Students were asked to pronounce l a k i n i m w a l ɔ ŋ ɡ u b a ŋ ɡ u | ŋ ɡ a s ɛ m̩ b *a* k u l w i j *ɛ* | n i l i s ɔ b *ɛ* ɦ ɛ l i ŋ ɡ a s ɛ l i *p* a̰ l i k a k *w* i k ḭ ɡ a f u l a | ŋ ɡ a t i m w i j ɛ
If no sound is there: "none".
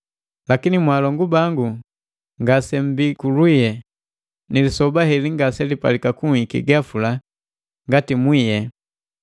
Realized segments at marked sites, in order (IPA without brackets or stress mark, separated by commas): i, ɛ, a, p, u